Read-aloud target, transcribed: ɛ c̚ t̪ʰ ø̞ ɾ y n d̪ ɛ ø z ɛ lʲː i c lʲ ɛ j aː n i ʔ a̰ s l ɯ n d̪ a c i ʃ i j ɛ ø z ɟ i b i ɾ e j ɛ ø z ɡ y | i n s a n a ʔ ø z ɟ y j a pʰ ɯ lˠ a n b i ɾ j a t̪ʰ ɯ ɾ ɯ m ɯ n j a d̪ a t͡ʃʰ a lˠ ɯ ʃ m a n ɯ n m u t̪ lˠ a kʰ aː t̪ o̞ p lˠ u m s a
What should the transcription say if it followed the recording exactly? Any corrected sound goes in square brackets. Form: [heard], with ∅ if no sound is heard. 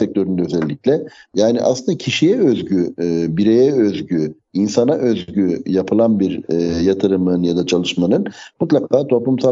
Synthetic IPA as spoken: ɛ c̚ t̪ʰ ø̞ ɾ y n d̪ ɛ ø z ɛ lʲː i c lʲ ɛ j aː n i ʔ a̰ s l ɯ n d̪ a [cʰ] i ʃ i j ɛ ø z ɟ [y] b i ɾ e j ɛ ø z [ɟ] y | i n s a n a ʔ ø z ɟ y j a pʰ ɯ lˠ a n b i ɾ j a t̪ʰ ɯ ɾ ɯ m ɯ n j a d̪ a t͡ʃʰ a lˠ ɯ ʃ m a n ɯ n m u t̪ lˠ a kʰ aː [t̪ʰ] o̞ p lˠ u m s a